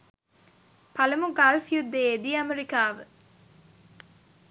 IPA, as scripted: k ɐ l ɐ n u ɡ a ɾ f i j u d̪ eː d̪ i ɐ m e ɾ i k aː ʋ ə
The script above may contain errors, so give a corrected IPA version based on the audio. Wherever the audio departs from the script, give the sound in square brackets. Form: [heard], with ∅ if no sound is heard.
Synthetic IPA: [p] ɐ l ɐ [m] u ɡ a [l] f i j u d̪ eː d̪ i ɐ m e ɾ i k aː ʋ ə